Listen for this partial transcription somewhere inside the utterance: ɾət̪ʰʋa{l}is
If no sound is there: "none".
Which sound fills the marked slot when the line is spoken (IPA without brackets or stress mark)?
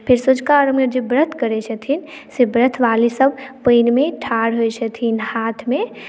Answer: l